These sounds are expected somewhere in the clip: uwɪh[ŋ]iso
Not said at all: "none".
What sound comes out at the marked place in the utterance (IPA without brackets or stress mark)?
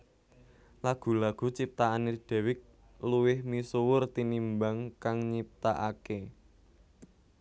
m